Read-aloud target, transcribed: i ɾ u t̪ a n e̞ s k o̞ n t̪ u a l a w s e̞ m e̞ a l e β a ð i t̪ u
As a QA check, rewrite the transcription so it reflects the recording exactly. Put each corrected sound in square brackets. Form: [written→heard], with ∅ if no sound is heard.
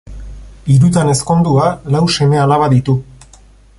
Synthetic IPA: i ɾ u t̪ a n e̞ s k o̞ n [t̪→d̪] u a l a w s e̞ m e̞ a l [e→a] β a ð i t̪ u